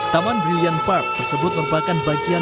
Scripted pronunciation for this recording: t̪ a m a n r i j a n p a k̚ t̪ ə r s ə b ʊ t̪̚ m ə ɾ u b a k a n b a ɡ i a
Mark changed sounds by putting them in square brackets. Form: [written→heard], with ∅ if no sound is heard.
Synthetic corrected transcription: t̪ a m a n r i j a n p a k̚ t̪ ə r s ə b ʊ t̪̚ m ə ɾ u [b→p] a k a n b a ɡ i a